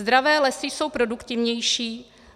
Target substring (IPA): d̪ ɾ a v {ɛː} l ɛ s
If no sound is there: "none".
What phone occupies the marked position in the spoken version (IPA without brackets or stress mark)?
ɛː